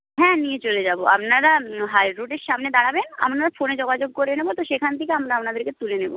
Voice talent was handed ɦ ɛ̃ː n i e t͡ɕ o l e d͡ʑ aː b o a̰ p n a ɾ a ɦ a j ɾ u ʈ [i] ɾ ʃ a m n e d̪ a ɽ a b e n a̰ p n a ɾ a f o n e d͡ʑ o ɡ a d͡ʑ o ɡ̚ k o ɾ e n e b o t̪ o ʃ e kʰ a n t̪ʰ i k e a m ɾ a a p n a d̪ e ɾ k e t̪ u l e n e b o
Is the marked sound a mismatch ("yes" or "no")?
yes